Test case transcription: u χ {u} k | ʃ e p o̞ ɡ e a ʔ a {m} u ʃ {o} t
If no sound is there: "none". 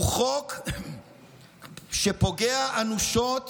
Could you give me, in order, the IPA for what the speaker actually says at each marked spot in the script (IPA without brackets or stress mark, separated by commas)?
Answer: o, n, o